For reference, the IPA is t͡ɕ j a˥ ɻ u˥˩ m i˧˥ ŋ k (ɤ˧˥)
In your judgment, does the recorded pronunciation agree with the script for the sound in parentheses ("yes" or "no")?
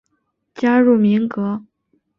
yes